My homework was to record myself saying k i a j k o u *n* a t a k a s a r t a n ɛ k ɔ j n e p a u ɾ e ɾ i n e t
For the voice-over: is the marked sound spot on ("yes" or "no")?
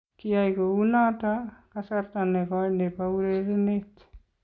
yes